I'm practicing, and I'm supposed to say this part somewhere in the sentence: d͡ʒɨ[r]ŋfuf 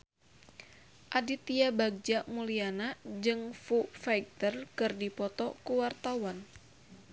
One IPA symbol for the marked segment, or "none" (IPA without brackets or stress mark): none